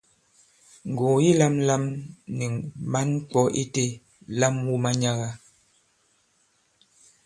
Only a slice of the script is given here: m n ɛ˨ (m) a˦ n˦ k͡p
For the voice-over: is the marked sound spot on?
yes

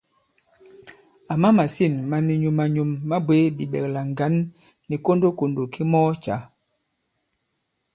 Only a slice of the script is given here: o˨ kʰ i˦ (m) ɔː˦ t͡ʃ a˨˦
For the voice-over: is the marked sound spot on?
yes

